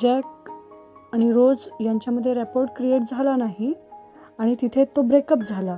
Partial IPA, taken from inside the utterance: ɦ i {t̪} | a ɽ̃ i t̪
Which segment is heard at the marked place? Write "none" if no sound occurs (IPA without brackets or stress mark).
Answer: none